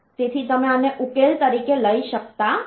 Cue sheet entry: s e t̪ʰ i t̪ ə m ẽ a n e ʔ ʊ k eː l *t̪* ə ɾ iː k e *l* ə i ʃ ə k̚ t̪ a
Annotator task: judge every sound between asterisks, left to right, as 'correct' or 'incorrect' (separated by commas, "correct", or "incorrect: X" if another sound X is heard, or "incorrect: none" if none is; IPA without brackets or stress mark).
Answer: correct, correct